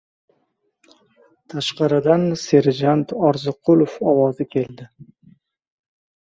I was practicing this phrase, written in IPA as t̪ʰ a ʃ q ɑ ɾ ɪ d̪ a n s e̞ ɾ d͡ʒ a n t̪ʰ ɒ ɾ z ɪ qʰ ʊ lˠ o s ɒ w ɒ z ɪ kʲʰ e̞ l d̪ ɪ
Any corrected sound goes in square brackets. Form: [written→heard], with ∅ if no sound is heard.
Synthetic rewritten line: t̪ʰ a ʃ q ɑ ɾ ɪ d̪ a n s e̞ ɾ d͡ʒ a n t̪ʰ ɒ ɾ z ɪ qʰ ʊ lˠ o [s→f] ɒ w ɒ z ɪ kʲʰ e̞ l d̪ ɪ